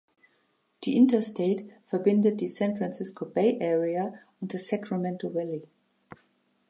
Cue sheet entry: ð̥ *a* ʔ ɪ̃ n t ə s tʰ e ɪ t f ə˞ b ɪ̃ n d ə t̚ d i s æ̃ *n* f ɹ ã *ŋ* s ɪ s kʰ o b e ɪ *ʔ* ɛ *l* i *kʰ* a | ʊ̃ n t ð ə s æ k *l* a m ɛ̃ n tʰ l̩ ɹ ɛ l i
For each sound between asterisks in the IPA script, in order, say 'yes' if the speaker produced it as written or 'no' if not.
no, yes, no, yes, no, no, no

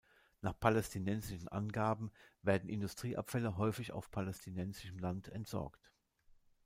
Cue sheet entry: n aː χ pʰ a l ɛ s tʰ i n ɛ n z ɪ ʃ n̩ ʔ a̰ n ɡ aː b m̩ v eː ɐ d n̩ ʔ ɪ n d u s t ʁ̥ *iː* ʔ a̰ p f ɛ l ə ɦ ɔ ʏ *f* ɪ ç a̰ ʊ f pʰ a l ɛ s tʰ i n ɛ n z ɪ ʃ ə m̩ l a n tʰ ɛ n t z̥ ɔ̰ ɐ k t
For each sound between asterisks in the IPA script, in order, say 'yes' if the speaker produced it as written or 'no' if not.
yes, yes

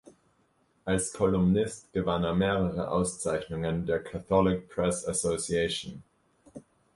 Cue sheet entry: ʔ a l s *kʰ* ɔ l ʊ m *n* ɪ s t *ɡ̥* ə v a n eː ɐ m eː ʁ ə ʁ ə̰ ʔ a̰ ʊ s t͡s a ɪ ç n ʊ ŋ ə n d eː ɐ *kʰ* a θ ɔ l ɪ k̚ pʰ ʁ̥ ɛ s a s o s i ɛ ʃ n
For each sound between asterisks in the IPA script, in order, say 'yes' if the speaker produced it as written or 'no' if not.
yes, yes, yes, yes

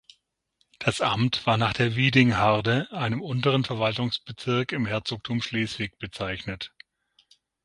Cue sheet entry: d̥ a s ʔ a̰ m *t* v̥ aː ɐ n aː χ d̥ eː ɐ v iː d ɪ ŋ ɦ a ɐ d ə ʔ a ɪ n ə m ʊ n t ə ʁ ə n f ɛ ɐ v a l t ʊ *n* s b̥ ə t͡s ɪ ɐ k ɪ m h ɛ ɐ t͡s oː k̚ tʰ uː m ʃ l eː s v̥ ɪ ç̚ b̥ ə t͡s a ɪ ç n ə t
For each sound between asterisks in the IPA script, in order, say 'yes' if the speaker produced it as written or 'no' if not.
yes, no

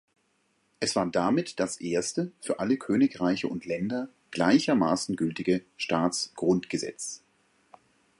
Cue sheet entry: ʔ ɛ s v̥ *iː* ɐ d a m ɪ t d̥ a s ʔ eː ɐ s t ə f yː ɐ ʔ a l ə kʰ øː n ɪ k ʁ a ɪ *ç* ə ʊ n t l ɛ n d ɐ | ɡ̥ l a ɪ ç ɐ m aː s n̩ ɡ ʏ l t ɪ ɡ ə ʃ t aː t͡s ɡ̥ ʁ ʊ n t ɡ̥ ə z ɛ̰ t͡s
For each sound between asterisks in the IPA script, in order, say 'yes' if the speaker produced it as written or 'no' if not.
no, yes

